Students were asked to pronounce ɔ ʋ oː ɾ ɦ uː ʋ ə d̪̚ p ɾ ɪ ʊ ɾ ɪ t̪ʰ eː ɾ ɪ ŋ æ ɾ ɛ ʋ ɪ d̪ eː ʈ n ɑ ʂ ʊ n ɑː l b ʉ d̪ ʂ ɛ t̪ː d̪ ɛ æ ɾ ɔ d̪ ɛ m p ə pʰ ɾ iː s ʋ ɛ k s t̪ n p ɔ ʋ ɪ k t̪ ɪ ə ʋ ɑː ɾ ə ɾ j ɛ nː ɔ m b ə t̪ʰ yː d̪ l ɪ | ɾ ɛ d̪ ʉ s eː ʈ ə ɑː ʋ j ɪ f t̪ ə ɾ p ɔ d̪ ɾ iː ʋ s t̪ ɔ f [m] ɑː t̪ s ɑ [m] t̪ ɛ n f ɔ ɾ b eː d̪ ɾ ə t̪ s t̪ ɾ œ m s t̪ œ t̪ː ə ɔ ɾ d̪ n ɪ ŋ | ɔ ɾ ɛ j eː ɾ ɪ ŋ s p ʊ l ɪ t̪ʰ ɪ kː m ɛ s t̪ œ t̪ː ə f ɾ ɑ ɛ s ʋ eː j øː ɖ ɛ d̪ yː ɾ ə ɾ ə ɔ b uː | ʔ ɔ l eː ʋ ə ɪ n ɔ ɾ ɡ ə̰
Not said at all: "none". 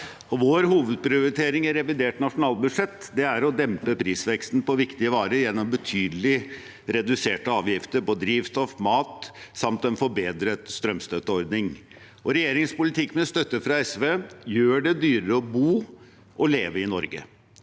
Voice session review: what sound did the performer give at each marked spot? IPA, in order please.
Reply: m, m

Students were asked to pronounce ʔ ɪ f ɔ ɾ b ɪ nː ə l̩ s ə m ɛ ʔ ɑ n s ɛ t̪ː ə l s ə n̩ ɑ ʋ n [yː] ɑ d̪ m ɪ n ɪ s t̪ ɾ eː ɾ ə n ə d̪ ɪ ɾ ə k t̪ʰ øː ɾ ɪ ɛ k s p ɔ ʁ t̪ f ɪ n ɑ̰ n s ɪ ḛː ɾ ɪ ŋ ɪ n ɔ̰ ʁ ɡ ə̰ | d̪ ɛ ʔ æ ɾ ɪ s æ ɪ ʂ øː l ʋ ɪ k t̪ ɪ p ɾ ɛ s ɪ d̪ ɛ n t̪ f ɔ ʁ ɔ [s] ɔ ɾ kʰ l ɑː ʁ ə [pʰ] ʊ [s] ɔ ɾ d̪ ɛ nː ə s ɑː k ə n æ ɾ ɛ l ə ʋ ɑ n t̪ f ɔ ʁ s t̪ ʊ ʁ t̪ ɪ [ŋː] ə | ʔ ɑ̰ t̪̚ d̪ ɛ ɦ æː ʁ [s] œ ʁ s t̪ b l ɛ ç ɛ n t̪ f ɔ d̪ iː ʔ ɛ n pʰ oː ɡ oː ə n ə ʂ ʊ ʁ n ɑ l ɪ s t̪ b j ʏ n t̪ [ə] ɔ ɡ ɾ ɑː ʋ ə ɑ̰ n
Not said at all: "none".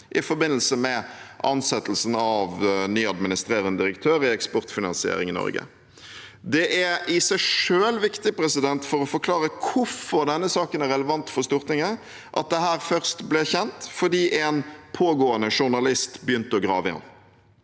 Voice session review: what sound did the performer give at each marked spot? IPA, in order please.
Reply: yː, f, kʰ, f, ŋ, f, ə

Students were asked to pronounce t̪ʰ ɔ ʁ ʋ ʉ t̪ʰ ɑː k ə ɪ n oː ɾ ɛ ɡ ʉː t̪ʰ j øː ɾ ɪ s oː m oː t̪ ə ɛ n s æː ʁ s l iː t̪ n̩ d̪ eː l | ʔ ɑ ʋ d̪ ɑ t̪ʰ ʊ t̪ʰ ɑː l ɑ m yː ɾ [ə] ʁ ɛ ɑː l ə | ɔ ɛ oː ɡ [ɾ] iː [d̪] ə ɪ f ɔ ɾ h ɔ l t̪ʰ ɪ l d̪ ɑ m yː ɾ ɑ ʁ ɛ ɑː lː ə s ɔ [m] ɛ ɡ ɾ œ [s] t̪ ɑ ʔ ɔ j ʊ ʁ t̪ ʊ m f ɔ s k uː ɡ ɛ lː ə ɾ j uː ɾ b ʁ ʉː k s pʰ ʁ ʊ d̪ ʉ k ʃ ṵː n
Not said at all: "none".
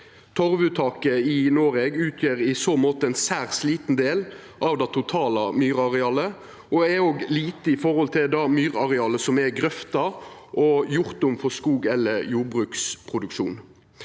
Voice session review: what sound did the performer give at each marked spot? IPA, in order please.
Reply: ɑ, l, t̪, m, f

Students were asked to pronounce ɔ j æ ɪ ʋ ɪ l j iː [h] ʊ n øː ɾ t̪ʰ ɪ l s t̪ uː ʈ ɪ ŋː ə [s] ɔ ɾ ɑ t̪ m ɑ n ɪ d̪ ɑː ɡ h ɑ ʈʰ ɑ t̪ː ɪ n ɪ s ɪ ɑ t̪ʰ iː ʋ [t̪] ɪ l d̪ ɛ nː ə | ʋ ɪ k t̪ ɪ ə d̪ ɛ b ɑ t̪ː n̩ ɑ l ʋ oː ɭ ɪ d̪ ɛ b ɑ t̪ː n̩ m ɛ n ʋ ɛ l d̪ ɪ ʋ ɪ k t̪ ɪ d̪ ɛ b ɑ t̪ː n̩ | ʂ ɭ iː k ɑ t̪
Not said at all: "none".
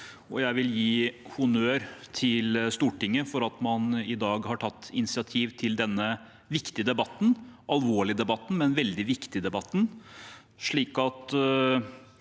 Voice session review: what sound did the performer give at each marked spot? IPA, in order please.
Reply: h, f, t̪ʰ

